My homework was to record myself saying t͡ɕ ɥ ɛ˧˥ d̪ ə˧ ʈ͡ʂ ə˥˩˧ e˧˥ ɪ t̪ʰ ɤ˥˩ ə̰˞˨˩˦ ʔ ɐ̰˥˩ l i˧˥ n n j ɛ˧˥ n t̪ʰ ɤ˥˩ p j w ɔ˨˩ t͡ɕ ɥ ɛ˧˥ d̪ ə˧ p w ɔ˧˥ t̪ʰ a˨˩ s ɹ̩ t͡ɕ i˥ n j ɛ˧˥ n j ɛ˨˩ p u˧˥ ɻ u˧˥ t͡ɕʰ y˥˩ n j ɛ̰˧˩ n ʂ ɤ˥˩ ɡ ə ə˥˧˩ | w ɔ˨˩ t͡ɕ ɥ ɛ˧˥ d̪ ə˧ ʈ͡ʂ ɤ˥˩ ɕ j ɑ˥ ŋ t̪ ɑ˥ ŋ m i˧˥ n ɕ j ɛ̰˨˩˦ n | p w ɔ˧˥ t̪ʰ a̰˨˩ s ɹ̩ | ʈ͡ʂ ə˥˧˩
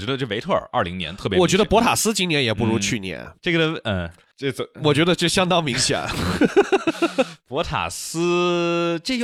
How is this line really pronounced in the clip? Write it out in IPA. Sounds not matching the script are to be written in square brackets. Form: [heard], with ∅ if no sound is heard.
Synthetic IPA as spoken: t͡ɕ ɥ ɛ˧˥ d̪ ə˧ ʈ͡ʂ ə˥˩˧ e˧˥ ɪ t̪ʰ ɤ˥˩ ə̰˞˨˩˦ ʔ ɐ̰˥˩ l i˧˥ [ŋ] n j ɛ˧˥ n t̪ʰ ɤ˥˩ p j w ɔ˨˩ t͡ɕ ɥ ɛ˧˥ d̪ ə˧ p w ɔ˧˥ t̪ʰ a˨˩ s ɹ̩ t͡ɕ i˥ n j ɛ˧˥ n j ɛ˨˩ p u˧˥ ɻ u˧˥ t͡ɕʰ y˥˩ n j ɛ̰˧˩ n [ʈ͡ʂ] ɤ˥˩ ɡ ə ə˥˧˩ | w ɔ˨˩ t͡ɕ ɥ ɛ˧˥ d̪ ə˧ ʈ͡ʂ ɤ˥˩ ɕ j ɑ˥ ŋ t̪ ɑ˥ ŋ m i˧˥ [ŋ] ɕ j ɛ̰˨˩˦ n | p w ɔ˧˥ t̪ʰ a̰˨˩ s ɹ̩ | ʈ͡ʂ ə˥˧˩